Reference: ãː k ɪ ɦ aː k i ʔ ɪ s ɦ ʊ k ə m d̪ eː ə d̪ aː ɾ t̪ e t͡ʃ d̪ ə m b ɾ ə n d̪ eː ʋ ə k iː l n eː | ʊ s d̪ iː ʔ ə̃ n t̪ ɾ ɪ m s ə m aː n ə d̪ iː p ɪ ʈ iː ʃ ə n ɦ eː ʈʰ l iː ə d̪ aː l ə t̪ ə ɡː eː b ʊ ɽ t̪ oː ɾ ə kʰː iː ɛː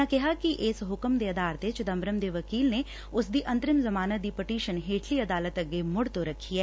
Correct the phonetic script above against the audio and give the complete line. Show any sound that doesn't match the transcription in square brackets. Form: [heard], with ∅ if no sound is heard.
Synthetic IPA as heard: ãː k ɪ ɦ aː k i ʔ ɪ s ɦ ʊ k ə m d̪ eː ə d̪ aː ɾ t̪ e t͡ʃ d̪ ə m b ɾ ə [m] d̪ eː ʋ ə k iː l n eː | ʊ s d̪ iː ʔ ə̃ n t̪ ɾ ɪ m [z] ə m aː n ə d̪ iː p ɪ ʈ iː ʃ ə n ɦ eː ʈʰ l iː ə d̪ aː l ə t̪ ə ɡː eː [m] ʊ ɽ t̪ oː ɾ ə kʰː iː ɛː